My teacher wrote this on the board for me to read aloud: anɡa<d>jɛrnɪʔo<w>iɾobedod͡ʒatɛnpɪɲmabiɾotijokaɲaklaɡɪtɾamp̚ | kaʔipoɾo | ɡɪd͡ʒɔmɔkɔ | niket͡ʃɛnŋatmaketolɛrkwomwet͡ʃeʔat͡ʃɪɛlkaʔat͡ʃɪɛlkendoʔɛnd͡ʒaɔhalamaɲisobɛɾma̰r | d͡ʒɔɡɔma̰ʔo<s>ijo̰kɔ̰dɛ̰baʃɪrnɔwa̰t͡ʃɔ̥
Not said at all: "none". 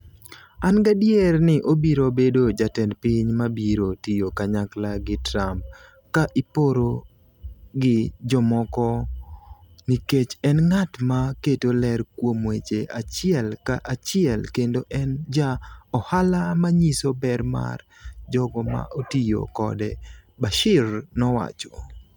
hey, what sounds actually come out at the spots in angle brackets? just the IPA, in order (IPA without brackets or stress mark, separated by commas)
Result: d, b, t